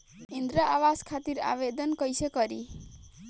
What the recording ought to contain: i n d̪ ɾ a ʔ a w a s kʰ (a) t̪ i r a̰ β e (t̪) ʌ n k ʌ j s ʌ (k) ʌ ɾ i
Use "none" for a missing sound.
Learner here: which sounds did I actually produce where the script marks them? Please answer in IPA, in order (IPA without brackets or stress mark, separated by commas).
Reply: a, d̪, k